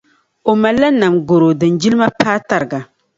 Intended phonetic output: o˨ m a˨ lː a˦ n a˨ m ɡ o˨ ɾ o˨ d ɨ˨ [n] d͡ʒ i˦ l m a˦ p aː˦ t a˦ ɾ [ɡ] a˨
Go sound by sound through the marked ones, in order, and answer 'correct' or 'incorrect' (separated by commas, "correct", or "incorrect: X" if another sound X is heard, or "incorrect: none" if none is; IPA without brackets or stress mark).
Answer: correct, correct